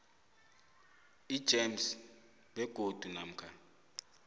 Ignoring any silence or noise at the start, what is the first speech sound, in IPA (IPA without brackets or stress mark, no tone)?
i